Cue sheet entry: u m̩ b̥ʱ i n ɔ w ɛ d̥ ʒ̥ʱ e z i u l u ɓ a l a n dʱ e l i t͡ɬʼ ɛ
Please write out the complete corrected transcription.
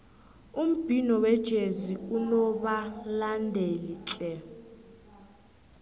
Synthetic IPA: u m̩ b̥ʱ i n ɔ w ɛ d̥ ʒ̥ʱ e z i u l ɔ ɓ a l a n dʱ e l i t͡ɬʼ ɛ